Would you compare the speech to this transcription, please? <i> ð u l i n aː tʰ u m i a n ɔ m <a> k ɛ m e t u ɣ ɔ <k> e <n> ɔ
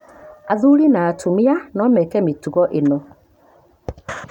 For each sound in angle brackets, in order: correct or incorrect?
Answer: incorrect, incorrect, incorrect, correct

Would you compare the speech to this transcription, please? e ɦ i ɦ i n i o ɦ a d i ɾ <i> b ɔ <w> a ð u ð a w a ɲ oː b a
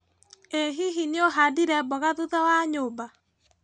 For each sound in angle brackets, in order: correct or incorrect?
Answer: incorrect, incorrect

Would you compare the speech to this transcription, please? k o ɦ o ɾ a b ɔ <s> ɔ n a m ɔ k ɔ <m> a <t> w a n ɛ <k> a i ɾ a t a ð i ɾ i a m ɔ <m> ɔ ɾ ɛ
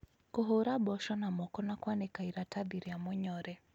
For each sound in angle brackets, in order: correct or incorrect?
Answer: incorrect, incorrect, incorrect, correct, incorrect

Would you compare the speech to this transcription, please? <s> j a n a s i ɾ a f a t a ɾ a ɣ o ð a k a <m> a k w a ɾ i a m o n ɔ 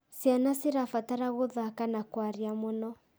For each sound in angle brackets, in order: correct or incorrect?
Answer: correct, incorrect

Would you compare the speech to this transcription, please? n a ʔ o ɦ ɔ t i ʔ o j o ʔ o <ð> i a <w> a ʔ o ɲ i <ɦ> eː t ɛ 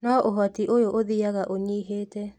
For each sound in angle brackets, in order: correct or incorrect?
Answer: correct, incorrect, correct

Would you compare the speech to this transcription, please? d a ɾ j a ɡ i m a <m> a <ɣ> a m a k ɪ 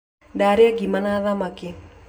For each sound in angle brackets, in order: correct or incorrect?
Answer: incorrect, incorrect

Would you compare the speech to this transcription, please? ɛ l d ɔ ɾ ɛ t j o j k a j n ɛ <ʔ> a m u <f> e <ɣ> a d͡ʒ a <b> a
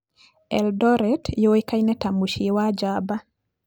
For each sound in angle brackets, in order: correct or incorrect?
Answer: incorrect, incorrect, incorrect, correct

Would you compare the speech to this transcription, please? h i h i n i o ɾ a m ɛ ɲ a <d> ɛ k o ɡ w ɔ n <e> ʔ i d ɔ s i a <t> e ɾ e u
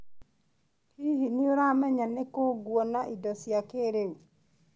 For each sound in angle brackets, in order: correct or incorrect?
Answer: incorrect, incorrect, incorrect

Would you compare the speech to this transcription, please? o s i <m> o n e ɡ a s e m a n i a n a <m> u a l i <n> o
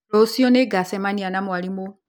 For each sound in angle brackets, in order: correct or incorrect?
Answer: incorrect, correct, incorrect

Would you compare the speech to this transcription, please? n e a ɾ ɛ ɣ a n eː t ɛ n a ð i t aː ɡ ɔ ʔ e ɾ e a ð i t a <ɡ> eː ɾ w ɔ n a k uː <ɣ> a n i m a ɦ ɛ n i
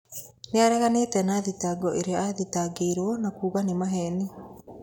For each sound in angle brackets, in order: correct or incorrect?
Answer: correct, correct

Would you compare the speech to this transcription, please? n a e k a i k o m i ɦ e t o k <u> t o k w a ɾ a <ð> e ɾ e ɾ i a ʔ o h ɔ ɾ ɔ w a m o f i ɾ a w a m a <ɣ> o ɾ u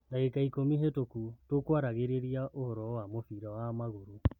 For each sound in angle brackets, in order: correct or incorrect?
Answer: correct, incorrect, correct

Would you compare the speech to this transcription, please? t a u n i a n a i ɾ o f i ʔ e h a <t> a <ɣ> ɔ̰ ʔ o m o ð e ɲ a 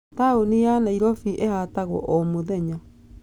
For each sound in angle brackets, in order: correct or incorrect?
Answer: correct, correct

